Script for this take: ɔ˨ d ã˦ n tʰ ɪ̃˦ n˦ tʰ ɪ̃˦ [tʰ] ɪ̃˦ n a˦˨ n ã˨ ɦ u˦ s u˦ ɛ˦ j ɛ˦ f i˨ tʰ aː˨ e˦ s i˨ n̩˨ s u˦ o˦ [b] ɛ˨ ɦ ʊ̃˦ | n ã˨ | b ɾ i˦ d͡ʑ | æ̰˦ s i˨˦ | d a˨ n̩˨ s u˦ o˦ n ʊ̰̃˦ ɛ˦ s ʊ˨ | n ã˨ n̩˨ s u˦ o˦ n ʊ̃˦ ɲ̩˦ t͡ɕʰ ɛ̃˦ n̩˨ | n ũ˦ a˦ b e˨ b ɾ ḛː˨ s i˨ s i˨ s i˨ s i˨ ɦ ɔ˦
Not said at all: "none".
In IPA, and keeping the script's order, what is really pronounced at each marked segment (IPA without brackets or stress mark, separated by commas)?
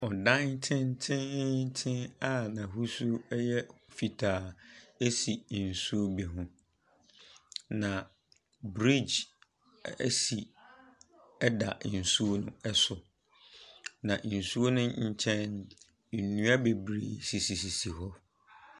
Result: tʰ, b